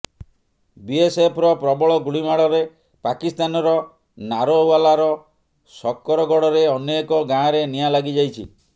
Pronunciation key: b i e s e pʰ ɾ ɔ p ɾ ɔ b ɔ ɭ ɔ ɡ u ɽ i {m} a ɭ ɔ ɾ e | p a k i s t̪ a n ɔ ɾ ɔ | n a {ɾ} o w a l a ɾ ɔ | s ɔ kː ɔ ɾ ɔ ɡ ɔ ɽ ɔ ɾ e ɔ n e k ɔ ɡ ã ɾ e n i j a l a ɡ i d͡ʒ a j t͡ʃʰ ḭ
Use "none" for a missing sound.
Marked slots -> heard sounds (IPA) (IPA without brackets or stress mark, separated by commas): m, ɾ